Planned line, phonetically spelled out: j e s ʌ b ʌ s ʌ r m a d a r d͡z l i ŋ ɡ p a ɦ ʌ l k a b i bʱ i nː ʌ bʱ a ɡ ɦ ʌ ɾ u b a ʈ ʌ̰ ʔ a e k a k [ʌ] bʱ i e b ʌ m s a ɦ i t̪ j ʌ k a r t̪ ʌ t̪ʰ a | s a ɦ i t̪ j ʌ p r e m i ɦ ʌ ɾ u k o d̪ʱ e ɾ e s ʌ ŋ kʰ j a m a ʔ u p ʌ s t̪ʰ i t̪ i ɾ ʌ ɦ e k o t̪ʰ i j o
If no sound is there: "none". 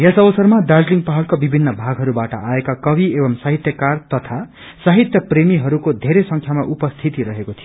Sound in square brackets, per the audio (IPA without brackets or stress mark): ʌ